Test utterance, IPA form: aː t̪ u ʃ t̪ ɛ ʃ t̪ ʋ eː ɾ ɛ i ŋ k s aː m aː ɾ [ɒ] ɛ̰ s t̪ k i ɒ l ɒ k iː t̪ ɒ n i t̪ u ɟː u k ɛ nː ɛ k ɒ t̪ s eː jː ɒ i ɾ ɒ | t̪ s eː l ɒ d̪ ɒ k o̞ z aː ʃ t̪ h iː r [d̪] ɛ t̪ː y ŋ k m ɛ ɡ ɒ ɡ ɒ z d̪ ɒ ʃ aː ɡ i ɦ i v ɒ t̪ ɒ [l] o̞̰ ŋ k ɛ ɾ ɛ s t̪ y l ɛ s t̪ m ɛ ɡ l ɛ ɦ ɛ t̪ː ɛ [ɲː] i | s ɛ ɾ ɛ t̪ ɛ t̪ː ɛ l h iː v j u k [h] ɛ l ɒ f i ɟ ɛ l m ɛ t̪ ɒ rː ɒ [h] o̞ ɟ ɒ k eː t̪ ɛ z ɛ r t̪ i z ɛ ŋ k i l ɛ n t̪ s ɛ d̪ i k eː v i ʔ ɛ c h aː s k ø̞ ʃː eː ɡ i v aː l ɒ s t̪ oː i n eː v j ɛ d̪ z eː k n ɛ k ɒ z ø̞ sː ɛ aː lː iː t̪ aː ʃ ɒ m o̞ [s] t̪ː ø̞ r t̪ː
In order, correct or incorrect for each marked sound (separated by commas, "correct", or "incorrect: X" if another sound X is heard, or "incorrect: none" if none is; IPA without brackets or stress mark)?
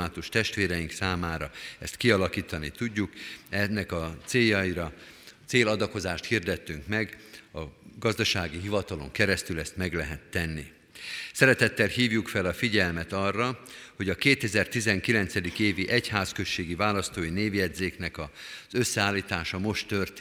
correct, correct, correct, incorrect: nː, incorrect: f, correct, incorrect: ʃ